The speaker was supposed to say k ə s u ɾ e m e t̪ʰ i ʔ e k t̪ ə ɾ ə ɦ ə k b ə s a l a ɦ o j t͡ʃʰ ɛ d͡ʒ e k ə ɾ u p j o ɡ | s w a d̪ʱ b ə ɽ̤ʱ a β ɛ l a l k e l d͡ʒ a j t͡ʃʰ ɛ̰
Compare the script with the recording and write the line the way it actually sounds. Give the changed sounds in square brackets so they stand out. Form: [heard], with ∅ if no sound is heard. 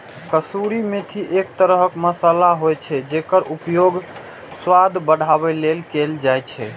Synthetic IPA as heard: k ə s u ɾ [i] m e t̪ʰ i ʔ e k t̪ ə ɾ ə ɦ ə k [m] ə s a l a ɦ o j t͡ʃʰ ɛ d͡ʒ e k ə ɾ u p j o ɡ | s w a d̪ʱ b ə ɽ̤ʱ a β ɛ l [e] l k e l d͡ʒ a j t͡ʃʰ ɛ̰